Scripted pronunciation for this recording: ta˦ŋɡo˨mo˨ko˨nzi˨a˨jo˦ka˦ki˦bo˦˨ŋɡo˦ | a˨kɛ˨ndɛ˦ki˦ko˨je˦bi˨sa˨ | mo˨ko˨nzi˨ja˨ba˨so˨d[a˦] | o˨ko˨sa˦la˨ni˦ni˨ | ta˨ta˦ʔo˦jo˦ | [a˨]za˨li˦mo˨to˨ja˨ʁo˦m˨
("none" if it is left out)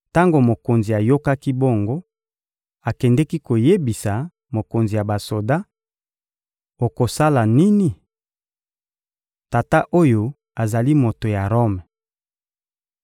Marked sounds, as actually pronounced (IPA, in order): a˦, a˨

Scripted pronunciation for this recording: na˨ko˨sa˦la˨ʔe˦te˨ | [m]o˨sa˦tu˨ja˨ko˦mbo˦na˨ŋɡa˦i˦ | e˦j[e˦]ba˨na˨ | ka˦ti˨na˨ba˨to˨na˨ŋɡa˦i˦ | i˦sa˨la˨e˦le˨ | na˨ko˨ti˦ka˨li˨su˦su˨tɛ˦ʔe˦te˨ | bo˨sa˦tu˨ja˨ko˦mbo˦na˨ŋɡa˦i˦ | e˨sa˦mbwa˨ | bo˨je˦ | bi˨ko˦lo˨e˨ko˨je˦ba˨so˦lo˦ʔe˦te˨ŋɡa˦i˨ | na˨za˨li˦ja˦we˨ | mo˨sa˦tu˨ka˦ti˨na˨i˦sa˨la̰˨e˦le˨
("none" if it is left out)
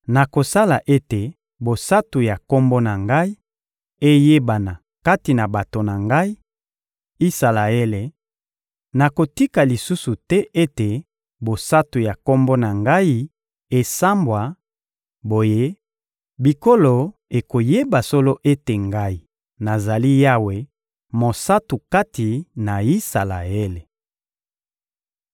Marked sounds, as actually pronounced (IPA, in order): b, e˦

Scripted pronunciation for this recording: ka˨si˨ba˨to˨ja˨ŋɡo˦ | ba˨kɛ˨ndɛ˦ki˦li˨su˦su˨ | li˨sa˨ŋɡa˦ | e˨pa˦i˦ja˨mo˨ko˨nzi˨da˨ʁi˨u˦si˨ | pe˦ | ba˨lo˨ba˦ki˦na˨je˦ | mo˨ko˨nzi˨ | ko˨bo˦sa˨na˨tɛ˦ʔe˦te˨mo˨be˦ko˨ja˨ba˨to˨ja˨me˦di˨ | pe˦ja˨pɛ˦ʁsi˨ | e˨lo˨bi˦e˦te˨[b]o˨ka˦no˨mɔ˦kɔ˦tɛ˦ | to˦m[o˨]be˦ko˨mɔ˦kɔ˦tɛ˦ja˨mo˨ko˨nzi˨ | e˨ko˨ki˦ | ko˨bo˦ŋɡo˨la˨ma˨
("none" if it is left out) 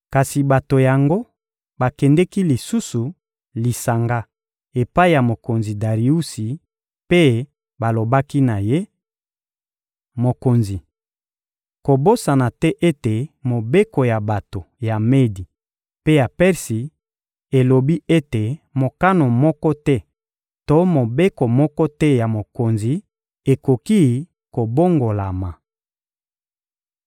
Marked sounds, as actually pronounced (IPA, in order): m, o˨

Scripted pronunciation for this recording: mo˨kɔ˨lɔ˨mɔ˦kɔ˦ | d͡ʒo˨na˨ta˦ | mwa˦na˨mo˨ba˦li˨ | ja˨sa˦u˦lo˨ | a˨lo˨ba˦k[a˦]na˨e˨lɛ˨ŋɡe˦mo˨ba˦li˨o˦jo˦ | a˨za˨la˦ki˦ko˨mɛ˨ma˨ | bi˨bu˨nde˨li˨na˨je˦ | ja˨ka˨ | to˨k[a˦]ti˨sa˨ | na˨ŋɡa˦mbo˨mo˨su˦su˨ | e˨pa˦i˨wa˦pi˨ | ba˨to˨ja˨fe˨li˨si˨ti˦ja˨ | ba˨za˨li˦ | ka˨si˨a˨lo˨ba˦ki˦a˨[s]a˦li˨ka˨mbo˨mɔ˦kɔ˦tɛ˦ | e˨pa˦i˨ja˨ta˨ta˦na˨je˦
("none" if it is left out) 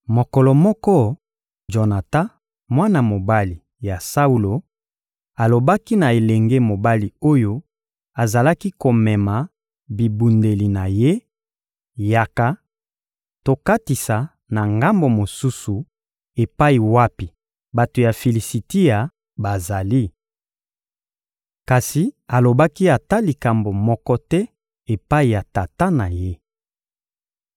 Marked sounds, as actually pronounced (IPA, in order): i˦, a˦, t

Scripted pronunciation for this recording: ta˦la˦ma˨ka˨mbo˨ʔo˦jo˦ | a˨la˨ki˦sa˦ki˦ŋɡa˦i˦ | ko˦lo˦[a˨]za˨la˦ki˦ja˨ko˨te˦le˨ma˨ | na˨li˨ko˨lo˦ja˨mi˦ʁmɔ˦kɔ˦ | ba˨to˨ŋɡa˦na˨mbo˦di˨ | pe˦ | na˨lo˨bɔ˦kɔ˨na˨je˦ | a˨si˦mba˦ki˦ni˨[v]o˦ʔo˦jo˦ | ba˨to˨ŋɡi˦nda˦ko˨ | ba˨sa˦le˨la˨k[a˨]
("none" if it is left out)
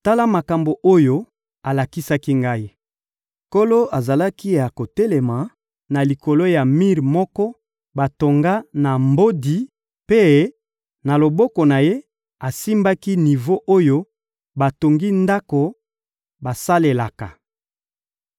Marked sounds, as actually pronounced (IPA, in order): a˨, v, a˨

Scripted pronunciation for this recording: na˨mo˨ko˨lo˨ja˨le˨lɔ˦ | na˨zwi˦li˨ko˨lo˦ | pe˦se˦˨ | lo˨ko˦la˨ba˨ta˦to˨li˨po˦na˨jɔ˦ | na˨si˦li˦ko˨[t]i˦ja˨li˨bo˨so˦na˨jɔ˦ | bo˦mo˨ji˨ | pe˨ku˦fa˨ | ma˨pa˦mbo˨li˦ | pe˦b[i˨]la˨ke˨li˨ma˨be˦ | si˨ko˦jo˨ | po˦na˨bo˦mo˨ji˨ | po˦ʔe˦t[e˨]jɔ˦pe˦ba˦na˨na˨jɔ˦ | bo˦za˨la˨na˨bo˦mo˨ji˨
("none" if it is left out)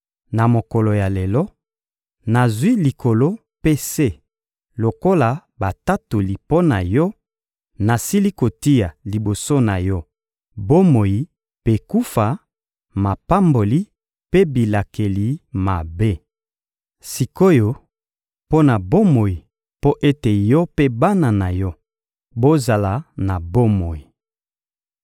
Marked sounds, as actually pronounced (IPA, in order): t, i˨, e˨

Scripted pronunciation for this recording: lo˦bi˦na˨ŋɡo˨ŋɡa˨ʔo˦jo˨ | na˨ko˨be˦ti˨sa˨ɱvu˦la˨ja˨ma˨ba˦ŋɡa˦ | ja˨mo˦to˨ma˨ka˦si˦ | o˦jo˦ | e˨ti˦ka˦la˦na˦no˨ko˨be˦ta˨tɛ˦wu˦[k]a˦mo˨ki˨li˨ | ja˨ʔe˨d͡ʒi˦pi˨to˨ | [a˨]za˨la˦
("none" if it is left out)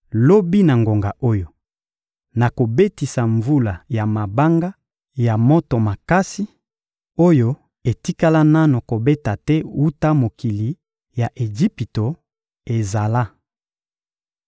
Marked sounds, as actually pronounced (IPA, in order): t, e˨

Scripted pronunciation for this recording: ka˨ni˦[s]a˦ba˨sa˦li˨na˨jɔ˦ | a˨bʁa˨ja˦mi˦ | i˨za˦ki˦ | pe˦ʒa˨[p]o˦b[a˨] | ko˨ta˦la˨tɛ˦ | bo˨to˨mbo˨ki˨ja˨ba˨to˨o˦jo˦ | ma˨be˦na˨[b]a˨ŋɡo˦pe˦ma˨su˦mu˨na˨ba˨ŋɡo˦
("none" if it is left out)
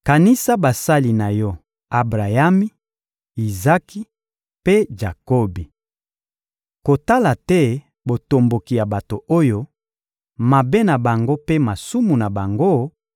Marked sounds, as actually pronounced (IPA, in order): s, k, i˨, b

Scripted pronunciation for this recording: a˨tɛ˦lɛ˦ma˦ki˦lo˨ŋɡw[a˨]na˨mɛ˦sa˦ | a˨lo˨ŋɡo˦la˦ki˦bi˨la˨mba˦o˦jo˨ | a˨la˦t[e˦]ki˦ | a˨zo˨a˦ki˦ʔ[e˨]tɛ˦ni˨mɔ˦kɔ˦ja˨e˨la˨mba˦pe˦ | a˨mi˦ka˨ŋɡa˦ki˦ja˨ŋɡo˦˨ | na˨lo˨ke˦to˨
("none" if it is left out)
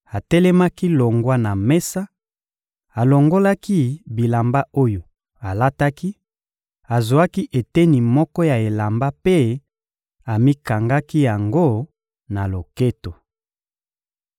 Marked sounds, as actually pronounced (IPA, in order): a˦, a˦, e˨

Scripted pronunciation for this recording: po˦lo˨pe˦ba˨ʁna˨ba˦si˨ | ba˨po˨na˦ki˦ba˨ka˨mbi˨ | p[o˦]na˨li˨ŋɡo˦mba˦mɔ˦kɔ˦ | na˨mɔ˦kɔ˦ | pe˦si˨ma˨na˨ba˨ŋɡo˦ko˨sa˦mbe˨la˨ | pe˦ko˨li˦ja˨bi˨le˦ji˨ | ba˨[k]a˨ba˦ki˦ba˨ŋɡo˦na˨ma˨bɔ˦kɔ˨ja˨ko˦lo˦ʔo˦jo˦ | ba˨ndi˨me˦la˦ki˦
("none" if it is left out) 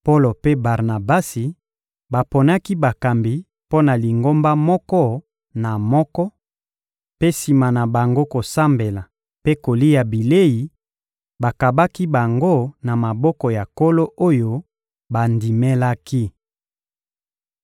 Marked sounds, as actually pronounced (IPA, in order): o˦, k

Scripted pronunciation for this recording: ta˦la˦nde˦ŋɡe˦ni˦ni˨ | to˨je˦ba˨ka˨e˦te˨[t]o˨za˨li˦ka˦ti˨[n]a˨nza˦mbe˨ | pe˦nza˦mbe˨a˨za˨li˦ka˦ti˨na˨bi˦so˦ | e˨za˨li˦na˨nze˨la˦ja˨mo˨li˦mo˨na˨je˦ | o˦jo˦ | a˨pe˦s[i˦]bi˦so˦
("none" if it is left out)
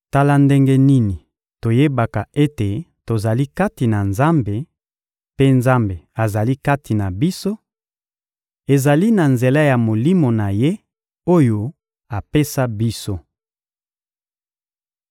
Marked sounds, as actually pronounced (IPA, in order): t, n, a˦

